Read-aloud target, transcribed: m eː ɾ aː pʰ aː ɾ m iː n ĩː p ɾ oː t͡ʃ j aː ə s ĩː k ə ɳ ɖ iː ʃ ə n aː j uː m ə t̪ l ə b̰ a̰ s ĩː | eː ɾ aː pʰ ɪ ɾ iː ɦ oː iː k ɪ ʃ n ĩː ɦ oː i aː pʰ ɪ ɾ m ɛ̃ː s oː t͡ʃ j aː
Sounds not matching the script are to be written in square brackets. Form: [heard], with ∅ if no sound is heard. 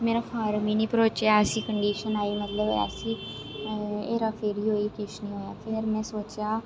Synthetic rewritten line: m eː ɾ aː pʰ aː ɾ m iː n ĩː p ɾ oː t͡ʃ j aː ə s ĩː k ə ɳ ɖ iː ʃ ə n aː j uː m ə t̪ l ə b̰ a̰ s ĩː | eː ɾ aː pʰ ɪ ɾ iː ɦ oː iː k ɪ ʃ n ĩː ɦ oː [j] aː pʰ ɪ ɾ m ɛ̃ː s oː t͡ʃ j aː